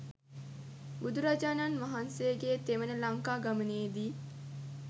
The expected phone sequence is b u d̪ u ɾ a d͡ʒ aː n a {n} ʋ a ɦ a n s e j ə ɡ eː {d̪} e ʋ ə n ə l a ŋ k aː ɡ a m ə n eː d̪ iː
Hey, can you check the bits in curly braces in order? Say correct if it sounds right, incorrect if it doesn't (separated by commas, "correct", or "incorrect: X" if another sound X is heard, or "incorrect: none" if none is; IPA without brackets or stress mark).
correct, incorrect: t̪